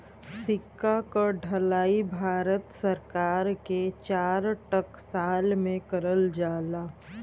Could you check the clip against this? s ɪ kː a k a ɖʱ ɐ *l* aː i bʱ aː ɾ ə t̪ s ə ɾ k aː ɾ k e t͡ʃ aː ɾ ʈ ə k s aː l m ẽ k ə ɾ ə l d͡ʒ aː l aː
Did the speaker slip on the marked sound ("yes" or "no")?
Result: no